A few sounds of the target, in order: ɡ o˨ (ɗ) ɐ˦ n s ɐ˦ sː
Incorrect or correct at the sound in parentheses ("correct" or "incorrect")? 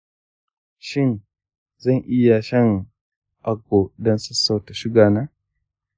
incorrect